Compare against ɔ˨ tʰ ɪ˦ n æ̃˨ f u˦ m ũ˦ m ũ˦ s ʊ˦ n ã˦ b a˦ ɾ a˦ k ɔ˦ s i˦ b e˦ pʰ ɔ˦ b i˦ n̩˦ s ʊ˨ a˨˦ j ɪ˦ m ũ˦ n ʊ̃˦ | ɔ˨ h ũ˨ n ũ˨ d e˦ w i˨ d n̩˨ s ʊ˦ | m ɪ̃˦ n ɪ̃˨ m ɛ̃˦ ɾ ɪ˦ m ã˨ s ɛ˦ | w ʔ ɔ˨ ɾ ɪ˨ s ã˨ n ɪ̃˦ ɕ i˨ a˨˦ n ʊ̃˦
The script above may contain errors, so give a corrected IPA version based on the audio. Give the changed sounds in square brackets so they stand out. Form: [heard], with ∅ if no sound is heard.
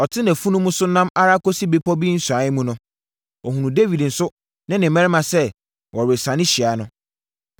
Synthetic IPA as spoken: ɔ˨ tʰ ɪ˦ n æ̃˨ f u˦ [n] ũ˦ m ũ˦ s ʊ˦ n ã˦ [m] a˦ ɾ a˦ k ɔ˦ s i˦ b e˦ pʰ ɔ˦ b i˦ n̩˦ s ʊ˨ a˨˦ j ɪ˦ m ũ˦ n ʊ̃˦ | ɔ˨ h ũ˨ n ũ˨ d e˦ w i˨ d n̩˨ s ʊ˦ | [n] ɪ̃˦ n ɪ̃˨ m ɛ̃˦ ɾ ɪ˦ m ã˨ s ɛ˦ | w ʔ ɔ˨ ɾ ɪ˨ s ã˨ n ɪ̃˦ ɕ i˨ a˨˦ n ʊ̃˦